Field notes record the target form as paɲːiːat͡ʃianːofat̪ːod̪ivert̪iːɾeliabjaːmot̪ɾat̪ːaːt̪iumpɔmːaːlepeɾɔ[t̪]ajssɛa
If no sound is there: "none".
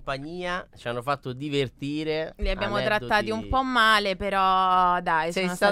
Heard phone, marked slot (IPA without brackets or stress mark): d̪